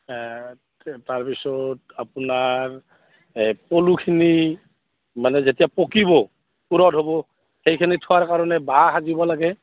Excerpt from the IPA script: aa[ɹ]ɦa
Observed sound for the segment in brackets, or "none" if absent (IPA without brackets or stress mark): none